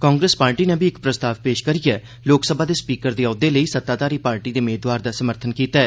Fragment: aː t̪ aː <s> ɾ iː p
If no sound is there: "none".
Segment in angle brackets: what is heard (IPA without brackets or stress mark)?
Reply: none